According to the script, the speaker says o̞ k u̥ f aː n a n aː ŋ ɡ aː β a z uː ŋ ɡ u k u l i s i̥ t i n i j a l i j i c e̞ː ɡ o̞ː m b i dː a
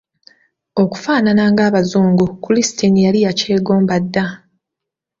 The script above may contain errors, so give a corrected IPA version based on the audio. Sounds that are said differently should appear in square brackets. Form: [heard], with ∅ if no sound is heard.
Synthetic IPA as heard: o̞ k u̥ f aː n a n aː ŋ ɡ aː β a z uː ŋ ɡ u k u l i s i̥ t i n i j a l i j [a] c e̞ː ɡ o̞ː m b [a] dː a